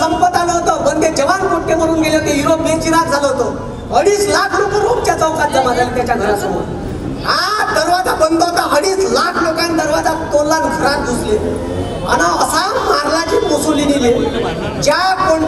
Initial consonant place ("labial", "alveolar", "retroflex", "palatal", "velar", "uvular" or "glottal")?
labial